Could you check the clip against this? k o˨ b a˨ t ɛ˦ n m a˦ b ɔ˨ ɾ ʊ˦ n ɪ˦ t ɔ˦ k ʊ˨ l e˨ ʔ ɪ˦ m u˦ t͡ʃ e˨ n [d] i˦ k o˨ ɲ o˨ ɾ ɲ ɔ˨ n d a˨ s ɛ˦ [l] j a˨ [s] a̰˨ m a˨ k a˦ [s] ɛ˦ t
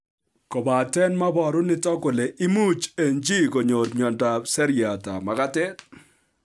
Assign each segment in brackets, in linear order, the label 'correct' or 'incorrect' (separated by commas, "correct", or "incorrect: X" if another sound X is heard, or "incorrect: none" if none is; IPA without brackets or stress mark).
incorrect: d͡ʒ, incorrect: ɾ, incorrect: t, incorrect: t